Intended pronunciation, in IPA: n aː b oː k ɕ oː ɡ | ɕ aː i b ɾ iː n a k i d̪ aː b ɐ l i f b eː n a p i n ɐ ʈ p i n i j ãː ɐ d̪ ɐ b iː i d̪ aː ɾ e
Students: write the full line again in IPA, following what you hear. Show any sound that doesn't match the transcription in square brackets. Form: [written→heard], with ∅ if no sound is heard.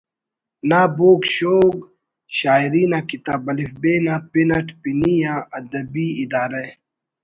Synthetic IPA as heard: n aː b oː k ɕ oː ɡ | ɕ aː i [b→∅] ɾ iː n a k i [d̪→t̪] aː b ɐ l i f b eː n a p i n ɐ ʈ p i n i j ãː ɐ d̪ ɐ b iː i d̪ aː ɾ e